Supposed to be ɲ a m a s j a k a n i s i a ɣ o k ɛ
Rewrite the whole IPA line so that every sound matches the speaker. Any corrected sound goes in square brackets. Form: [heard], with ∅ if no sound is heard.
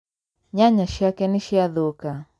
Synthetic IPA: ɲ a [ɲ] a [ʃ] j a k [ɛ] n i [ʃ] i a [ð] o k [a]